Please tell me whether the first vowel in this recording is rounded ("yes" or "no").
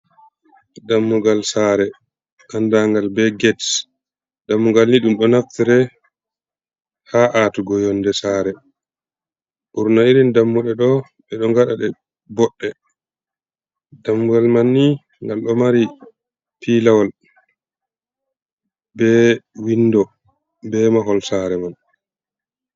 no